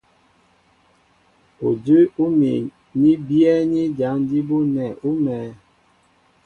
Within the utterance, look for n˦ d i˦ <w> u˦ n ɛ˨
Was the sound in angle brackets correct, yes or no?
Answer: no